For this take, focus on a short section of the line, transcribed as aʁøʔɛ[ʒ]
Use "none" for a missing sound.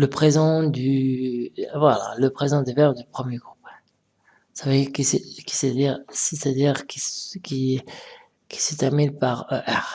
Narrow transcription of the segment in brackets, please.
ʁ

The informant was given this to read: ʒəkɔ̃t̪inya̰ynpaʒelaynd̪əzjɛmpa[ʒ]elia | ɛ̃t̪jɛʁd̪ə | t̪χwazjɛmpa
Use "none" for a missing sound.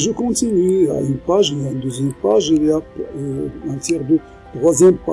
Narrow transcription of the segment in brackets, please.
ʒ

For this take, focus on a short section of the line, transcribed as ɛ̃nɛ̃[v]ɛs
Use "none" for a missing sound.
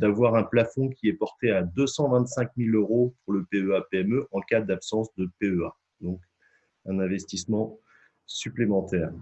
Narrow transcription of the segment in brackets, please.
v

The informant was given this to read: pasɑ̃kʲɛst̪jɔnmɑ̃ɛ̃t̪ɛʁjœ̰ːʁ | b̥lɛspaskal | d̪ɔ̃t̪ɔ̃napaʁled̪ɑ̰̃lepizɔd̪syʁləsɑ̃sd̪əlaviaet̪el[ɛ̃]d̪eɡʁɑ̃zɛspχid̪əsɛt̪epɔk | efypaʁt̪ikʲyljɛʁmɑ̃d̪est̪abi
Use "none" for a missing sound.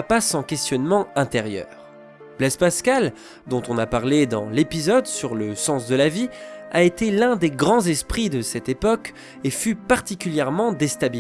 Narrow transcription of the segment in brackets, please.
ɛ̃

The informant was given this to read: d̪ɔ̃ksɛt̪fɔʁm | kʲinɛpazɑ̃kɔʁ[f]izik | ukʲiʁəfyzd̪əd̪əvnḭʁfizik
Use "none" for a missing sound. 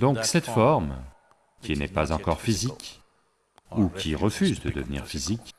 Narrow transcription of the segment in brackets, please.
f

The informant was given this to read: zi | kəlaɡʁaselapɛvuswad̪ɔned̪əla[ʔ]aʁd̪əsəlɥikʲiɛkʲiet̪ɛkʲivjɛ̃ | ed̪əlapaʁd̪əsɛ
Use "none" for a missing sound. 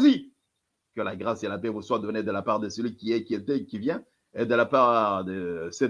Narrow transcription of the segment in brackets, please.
p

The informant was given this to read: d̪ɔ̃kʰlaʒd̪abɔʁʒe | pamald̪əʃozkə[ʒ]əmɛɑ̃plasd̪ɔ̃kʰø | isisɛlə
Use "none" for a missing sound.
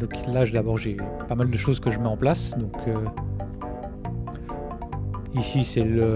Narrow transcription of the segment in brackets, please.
ʒ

